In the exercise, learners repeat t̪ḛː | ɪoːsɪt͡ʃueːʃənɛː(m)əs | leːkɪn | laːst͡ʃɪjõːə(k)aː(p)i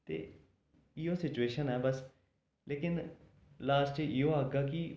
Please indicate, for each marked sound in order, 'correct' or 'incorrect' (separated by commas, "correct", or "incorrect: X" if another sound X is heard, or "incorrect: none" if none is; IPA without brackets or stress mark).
incorrect: b, incorrect: ɡ, incorrect: k